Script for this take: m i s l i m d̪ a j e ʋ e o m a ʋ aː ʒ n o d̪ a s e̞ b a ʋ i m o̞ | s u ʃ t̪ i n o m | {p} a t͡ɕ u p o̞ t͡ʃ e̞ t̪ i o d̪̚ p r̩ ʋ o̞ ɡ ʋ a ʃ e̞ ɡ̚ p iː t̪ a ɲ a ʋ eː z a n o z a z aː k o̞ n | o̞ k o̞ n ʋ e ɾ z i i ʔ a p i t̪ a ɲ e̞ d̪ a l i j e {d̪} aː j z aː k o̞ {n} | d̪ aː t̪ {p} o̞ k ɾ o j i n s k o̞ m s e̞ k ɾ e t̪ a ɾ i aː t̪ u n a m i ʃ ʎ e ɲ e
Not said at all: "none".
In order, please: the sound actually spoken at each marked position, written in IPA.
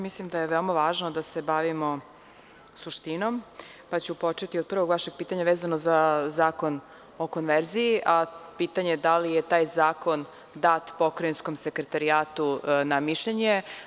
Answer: p, t̪, n, p

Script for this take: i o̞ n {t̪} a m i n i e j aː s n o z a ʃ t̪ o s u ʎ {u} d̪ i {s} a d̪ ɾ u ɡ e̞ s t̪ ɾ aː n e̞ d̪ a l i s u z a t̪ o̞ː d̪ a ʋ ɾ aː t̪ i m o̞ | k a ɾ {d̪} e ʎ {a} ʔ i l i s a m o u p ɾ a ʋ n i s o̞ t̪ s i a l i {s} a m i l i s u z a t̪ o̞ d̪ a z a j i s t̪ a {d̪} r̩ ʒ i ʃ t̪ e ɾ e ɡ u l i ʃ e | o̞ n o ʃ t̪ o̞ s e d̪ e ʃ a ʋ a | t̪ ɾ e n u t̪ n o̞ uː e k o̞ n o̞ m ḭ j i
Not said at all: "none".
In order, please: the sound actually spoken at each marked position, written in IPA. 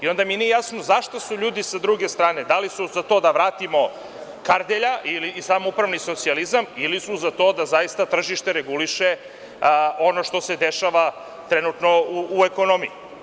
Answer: d̪, uː, s, d̪, a, z, t̪

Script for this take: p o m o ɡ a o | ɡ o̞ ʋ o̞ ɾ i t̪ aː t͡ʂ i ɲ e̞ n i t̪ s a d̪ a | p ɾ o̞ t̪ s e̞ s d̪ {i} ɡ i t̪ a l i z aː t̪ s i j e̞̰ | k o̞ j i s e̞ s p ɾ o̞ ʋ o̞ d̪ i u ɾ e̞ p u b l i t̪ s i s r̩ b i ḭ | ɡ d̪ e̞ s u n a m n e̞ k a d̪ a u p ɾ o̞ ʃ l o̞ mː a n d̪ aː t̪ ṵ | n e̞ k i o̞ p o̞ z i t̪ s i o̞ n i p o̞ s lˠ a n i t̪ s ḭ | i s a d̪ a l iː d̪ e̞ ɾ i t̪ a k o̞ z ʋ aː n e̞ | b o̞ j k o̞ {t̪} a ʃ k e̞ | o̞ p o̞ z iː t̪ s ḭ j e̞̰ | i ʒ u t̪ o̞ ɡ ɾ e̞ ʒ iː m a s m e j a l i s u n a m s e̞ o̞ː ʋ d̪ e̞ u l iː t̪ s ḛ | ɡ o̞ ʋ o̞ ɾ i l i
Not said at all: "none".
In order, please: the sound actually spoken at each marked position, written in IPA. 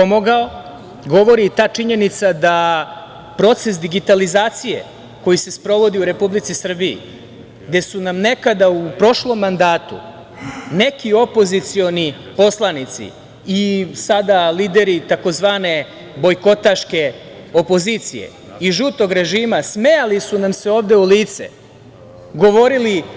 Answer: i, t̪

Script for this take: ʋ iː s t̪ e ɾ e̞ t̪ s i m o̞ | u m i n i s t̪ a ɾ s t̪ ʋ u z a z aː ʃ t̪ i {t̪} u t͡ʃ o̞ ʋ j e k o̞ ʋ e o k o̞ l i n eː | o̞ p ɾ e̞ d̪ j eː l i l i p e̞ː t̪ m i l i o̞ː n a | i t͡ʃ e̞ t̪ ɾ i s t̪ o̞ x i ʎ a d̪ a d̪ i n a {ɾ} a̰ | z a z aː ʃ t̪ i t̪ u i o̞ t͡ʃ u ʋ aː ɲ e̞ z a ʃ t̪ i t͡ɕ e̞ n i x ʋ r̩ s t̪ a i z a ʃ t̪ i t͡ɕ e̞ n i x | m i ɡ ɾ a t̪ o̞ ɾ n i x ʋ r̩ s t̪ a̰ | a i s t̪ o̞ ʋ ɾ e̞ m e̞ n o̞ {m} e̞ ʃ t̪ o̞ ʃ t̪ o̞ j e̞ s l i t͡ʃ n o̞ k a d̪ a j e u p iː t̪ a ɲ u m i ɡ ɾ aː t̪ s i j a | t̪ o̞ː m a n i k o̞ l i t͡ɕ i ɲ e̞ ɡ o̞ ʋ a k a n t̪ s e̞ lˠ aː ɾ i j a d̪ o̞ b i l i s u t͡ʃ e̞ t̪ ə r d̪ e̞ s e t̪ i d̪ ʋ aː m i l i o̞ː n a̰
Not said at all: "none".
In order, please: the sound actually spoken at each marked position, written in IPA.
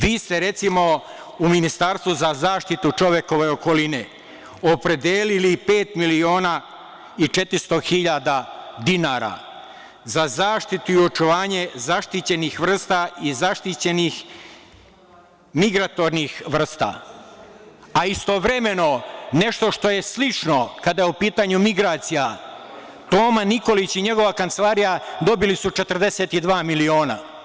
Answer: t̪, ɾ, n

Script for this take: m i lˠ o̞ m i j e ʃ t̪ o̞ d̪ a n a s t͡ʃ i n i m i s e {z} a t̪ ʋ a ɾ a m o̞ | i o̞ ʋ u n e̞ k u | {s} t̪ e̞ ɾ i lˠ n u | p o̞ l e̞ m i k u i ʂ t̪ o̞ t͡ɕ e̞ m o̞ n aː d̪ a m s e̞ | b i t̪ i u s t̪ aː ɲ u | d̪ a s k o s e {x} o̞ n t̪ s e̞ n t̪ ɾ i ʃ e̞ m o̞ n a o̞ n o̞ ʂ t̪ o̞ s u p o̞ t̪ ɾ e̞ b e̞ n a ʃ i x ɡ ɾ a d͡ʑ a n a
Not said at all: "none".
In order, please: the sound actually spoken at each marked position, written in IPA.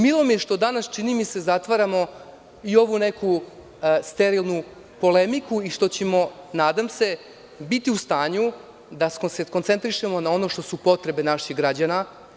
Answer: z, s, k

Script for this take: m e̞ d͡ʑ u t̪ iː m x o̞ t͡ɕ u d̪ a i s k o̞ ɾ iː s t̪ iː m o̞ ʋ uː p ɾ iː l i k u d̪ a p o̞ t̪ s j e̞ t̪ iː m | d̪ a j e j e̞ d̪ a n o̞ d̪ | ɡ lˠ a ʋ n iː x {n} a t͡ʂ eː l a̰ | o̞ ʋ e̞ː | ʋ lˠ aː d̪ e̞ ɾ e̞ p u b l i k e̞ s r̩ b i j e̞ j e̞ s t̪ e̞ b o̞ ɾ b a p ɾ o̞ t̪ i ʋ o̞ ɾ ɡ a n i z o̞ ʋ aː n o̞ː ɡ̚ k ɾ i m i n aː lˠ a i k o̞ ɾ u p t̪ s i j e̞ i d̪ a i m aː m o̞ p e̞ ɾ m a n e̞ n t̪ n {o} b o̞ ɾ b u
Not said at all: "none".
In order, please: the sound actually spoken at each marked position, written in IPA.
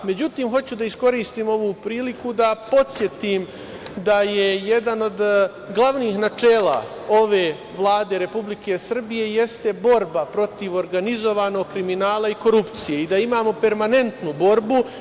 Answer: n, u

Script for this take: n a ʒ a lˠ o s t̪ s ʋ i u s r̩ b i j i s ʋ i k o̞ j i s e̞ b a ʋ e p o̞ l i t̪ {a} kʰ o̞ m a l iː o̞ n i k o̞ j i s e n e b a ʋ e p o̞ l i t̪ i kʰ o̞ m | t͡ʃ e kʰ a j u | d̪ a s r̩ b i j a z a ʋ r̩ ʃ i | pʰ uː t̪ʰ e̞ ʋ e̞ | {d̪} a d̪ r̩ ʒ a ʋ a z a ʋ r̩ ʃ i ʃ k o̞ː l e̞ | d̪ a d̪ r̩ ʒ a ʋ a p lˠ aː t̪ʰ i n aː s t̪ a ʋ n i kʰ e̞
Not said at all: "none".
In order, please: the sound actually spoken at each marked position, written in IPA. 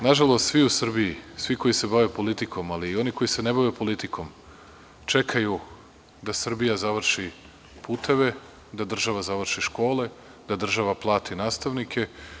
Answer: i, d̪

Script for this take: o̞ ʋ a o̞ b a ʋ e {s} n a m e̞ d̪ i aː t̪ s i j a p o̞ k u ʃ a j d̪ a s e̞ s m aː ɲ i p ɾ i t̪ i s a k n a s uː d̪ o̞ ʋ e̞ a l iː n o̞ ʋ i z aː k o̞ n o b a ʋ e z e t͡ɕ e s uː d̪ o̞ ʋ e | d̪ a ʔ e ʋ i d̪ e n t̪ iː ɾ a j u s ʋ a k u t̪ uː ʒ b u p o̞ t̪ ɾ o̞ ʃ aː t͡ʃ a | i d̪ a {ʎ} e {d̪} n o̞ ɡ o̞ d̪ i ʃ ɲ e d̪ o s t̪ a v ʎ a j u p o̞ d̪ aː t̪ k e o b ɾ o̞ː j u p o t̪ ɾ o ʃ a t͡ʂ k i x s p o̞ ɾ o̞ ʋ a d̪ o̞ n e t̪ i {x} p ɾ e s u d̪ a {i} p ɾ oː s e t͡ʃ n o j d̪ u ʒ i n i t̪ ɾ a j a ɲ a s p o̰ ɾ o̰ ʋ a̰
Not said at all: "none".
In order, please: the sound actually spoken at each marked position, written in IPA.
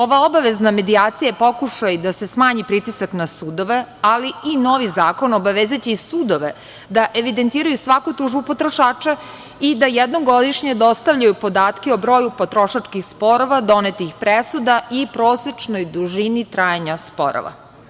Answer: z, j, d̪, x, i

